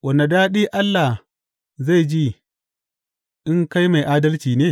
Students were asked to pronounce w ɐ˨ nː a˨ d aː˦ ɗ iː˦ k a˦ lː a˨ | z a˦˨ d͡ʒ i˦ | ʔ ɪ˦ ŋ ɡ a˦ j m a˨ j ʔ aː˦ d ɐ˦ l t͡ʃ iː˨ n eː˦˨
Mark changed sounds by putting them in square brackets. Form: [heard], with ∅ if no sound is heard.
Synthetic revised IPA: w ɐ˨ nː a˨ d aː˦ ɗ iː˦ [ʔ] a˦ lː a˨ | z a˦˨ d͡ʒ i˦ | ʔ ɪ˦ ŋ [k] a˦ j m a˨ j ʔ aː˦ d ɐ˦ l t͡ʃ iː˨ n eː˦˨